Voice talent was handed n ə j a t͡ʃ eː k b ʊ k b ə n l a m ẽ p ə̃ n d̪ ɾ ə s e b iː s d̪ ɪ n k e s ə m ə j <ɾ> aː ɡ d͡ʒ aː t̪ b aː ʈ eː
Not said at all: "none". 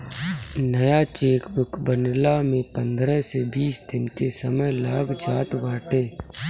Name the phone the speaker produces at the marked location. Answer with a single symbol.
l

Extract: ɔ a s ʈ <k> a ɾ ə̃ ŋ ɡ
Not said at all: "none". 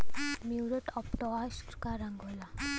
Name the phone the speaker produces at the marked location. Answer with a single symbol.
k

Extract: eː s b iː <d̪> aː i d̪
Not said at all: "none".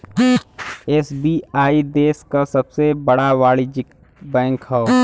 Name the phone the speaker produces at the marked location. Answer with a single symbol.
none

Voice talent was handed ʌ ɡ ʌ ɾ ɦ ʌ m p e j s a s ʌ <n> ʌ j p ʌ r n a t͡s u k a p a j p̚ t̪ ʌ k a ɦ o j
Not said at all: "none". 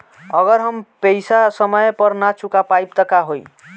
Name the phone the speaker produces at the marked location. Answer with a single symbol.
m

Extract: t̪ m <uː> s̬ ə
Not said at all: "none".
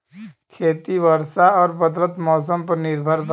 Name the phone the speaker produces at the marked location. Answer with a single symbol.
ɔː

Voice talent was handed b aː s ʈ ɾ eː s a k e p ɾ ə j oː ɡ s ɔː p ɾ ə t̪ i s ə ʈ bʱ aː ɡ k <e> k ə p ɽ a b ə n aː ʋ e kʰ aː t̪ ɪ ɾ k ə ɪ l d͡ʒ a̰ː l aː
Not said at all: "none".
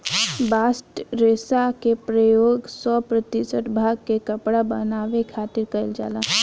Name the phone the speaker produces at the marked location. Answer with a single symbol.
e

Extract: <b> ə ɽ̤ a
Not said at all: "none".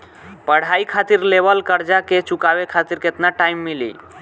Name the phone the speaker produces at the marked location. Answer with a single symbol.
p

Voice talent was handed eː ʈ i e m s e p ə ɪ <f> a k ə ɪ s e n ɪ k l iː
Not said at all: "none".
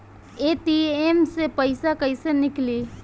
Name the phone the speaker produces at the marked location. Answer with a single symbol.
s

